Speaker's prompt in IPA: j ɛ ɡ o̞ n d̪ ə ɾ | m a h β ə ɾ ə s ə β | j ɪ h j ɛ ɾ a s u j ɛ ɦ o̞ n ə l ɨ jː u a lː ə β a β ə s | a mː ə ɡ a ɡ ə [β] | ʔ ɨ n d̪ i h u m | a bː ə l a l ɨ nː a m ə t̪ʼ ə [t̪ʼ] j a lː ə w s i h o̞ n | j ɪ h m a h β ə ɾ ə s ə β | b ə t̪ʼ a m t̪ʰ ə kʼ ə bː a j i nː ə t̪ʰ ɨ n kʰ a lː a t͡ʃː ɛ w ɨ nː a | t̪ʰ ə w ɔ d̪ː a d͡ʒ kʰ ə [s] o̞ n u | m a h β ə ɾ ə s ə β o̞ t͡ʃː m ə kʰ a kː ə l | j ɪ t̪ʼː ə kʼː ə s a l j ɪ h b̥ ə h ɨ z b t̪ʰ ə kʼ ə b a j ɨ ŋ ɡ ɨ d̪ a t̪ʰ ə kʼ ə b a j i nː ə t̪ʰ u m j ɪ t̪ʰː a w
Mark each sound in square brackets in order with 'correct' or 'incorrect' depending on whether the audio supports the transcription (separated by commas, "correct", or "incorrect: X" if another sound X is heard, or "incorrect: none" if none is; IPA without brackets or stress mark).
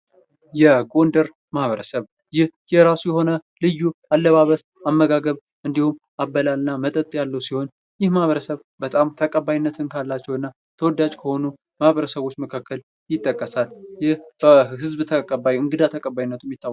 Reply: correct, correct, incorrect: h